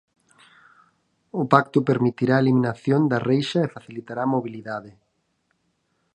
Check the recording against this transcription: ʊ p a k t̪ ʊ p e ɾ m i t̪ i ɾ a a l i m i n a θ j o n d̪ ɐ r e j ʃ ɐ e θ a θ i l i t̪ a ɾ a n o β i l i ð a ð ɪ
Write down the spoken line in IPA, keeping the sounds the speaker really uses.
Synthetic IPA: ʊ p a k t̪ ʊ p e ɾ m i t̪ i ɾ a e l i m i n a θ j o n d̪ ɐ r e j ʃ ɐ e f a θ i l i t̪ a ɾ a m o β i l i ð a ð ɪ